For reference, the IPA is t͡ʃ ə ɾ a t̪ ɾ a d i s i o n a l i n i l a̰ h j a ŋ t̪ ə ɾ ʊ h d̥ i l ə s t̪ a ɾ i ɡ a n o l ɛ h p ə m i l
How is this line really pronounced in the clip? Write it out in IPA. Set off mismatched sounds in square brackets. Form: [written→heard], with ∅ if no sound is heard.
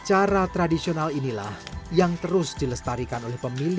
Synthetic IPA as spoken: t͡ʃ [ə→a] ɾ a t̪ ɾ a d i s i o n a l i n i l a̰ h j a ŋ t̪ ə ɾ ʊ [h→s] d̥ i l ə s t̪ a ɾ i [ɡ→k] a n o l ɛ h p ə m i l